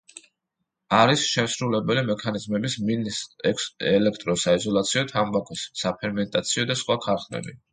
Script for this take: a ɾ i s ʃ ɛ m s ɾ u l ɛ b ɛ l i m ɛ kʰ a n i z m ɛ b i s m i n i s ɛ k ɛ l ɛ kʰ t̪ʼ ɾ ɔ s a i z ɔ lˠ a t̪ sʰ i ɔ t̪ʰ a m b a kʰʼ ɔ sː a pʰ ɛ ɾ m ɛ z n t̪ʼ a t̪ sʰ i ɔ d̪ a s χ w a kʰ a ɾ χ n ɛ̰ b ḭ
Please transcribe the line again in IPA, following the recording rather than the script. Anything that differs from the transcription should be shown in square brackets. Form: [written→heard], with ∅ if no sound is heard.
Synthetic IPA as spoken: a ɾ i s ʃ ɛ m s ɾ u l ɛ b ɛ l i m ɛ kʰ a n i z m ɛ b i s m i n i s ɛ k ɛ l ɛ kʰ t̪ʼ ɾ ɔ s a i z ɔ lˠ a t̪ sʰ i ɔ t̪ʰ a m b a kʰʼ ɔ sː a pʰ ɛ ɾ m ɛ [z→∅] n t̪ʼ a t̪ sʰ i ɔ d̪ a s χ w a kʰ a ɾ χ n ɛ̰ b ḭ